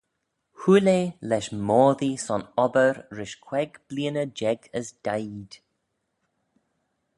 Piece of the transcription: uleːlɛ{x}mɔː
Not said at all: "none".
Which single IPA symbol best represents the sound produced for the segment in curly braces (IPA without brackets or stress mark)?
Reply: ʃ